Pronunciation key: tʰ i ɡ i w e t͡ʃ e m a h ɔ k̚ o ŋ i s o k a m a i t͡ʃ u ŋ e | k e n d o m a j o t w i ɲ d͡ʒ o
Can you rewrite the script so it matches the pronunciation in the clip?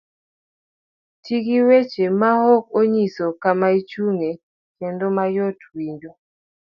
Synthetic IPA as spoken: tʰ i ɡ i w e t͡ʃ e m a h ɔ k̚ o ɲ i s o k a m a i t͡ʃ u ŋ e | k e n d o m a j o t w i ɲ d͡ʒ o